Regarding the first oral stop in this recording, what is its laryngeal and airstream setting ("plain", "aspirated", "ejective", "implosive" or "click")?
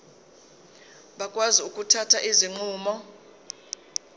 implosive